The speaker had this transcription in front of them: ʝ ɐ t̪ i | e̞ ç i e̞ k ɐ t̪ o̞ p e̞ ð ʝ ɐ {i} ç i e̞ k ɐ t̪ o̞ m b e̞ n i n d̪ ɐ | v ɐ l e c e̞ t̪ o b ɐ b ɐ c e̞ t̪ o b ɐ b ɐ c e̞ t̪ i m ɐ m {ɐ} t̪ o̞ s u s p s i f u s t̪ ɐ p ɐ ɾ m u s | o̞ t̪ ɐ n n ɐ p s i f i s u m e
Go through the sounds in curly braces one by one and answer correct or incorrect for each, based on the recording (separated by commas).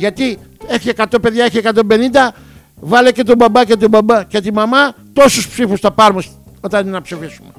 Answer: incorrect, correct